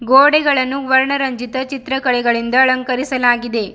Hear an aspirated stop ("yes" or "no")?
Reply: no